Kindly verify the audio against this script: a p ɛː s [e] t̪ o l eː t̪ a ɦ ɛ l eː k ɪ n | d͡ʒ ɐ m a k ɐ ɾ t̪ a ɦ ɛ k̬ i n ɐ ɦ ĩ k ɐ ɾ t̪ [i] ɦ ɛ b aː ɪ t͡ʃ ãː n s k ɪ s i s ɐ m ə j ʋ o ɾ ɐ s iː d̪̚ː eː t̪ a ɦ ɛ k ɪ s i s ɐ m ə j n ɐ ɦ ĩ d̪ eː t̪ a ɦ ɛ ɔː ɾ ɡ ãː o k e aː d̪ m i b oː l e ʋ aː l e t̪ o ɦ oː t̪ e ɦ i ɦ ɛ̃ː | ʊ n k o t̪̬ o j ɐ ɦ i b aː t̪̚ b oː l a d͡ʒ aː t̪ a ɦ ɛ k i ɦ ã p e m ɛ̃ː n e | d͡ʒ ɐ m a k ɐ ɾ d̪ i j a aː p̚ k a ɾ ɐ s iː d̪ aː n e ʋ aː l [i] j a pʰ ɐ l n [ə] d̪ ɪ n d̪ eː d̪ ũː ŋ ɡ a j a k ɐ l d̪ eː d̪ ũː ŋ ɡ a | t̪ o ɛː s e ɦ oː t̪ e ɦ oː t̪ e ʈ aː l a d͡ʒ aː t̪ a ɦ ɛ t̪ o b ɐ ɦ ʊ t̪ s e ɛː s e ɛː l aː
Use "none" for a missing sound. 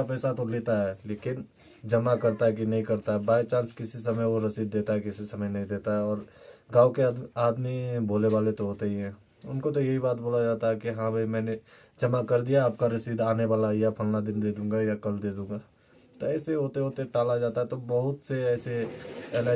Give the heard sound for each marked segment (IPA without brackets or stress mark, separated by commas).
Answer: a, a, a, a